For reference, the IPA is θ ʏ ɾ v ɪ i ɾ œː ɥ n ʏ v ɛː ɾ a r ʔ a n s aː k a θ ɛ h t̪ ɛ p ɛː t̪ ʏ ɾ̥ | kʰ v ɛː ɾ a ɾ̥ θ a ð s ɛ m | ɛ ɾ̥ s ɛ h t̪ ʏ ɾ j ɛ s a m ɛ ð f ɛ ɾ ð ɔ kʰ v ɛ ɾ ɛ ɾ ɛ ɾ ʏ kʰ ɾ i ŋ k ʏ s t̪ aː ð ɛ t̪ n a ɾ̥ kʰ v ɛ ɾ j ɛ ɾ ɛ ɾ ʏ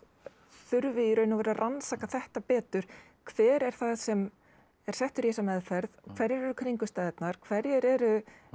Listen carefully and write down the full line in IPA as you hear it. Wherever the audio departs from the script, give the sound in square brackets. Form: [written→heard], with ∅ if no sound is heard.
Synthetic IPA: θ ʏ ɾ v ɪ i ɾ œː ɥ n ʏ v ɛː ɾ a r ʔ a n s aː k a θ ɛ h t̪ [ɛ→a] p ɛː t̪ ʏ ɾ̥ | kʰ v ɛː ɾ [a→ɛ] ɾ̥ θ a ð s ɛ m | ɛ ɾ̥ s ɛ h t̪ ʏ ɾ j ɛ s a m ɛ ð f ɛ ɾ ð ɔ kʰ v ɛ ɾ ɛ ɾ ɛ ɾ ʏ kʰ ɾ i ŋ k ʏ s t̪ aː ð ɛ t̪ n a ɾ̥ kʰ v ɛ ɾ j ɛ ɾ ɛ ɾ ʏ

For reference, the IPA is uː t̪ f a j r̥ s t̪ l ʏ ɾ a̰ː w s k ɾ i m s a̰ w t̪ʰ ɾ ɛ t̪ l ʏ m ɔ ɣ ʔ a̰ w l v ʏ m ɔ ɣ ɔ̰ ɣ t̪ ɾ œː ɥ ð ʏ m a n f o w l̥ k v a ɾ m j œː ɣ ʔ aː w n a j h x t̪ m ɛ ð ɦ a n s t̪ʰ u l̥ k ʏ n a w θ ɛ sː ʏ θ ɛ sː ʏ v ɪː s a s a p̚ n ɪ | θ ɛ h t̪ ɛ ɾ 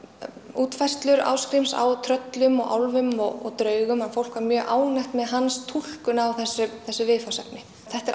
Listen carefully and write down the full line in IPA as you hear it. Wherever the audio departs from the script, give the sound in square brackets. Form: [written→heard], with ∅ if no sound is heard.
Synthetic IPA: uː t̪ f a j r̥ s t̪ l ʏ ɾ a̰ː w s k ɾ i m s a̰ w t̪ʰ ɾ [ɛ→œ] t̪ l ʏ m ɔ ɣ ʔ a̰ w l v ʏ m ɔ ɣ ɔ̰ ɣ t̪ ɾ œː ɥ [ð→ɣ] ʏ m a n f o w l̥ k v a ɾ m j œː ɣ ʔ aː w n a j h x t̪ m ɛ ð ɦ a n s t̪ʰ u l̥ k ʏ n a w θ ɛ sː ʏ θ ɛ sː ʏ v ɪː [s→f] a s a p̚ n ɪ | θ ɛ h t̪ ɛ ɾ

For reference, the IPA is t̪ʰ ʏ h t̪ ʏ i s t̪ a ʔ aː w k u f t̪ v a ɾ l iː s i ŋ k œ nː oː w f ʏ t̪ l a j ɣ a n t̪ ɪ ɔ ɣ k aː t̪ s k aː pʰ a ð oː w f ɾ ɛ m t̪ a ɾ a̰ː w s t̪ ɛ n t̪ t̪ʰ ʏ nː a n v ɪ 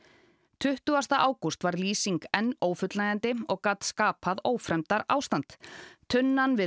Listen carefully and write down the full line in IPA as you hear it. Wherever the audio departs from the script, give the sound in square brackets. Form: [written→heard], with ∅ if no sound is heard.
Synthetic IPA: t̪ʰ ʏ h t̪ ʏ [i→a] s t̪ a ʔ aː w k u [f→s] t̪ v a ɾ l iː s i ŋ k [œ→ɛ] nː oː w f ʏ t̪ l a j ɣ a n t̪ ɪ ɔ ɣ k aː t̪ s k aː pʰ a ð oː w f ɾ ɛ m t̪ a ɾ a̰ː w s t̪ [ɛ→a] n t̪ t̪ʰ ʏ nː a n v ɪ

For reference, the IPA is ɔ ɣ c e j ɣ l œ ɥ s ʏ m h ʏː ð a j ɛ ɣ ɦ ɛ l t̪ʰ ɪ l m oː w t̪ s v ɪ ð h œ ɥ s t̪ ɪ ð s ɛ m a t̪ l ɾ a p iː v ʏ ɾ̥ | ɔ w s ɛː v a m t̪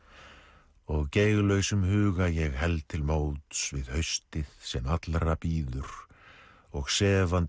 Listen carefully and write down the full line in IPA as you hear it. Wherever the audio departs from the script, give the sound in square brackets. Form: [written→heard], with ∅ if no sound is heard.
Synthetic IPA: ɔ ɣ c e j ɣ l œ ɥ s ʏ m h ʏː [ð→ɣ] a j ɛ ɣ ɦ ɛ l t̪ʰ ɪ l m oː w t̪ s v ɪ ð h œ ɥ s t̪ ɪ ð s ɛ m a t̪ l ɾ a p iː [v→ð] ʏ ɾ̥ | ɔ [w→ɣ] s ɛː v a [m→n] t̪

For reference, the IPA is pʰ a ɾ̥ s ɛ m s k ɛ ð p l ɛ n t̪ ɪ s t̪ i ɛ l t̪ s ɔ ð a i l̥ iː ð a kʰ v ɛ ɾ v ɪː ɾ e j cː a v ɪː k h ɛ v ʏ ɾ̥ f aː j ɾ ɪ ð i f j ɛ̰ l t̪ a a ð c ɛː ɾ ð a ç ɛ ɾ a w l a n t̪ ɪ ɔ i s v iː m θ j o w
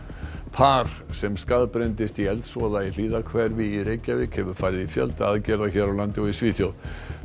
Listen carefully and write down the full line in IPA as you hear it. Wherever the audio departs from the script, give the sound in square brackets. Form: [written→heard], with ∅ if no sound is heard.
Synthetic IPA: pʰ a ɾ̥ s ɛ m s k [ɛ→a] ð p [l→ɾ] ɛ n t̪ ɪ s t̪ i ɛ l t̪ s ɔ ð a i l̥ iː ð a kʰ v ɛ ɾ v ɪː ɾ e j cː a v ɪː k h ɛ v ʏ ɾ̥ f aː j ɾ ɪ ð i f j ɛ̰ l t̪ a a ð c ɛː ɾ ð a ç ɛ ɾ a w l a n t̪ ɪ ɔ i s v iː [m→∅] θ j o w

